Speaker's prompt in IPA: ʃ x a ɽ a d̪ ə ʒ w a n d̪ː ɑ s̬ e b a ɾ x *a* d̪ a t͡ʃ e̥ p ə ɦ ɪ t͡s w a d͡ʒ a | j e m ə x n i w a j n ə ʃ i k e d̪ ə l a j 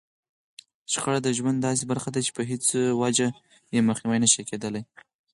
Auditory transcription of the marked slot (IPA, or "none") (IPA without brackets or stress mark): a